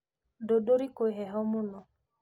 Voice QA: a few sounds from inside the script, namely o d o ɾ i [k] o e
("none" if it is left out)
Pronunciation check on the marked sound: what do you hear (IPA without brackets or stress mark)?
k